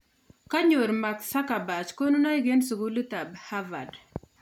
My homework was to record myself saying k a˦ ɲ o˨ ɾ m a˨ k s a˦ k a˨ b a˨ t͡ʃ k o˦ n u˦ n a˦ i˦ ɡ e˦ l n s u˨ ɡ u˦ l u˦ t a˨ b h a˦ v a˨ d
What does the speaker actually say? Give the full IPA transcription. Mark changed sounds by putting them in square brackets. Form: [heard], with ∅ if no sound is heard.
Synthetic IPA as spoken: k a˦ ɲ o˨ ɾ m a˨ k s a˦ k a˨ b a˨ t͡ʃ k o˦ n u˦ n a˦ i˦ ɡ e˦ [∅] n s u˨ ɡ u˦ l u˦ t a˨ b h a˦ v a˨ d